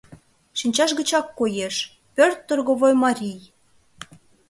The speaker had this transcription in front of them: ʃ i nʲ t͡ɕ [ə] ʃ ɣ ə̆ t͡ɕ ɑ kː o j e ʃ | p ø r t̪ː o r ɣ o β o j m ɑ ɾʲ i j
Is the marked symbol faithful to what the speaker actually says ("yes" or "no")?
no